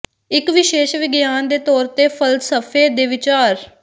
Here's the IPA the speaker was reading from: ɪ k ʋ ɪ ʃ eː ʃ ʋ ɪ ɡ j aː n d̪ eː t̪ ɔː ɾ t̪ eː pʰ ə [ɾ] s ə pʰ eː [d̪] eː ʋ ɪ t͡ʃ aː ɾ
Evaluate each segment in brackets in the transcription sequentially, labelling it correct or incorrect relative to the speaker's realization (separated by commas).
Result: incorrect, correct